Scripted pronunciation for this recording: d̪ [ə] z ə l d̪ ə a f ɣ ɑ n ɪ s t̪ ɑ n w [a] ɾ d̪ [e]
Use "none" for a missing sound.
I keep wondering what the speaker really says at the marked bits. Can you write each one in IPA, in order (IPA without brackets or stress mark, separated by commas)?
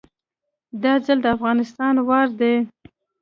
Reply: ɑ, ɑ, e